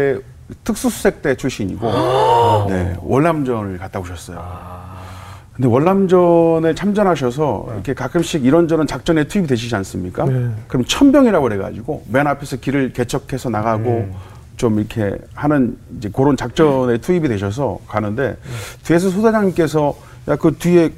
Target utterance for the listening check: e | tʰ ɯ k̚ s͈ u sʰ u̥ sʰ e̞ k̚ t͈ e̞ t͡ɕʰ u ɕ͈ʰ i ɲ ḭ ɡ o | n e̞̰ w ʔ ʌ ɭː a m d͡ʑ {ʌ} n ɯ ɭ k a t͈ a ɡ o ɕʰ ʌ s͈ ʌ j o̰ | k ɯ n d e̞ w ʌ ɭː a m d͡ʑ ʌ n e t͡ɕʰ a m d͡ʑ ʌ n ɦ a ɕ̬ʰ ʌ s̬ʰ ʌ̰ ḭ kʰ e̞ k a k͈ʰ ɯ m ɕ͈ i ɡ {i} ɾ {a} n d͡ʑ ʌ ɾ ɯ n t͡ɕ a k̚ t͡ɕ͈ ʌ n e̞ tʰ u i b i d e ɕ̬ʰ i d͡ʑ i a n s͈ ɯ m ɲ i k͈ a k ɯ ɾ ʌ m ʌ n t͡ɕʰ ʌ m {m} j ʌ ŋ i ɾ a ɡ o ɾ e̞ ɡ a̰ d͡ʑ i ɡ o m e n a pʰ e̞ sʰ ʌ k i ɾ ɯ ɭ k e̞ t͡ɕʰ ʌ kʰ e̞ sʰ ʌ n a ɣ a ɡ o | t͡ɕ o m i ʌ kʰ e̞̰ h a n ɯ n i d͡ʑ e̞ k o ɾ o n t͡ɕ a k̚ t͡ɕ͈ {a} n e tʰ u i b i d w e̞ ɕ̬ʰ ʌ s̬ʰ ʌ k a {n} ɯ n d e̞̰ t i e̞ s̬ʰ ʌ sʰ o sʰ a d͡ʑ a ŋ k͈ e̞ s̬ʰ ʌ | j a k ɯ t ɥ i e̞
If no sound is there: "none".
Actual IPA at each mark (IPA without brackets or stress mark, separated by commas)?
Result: ʌ, i, ʌ, b, ʌ, n